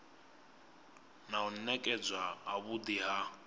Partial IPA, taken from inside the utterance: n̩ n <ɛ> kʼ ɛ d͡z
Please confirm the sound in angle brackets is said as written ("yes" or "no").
yes